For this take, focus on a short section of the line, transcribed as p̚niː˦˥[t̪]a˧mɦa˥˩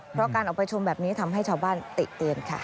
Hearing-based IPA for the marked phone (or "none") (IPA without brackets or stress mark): t̪ʰ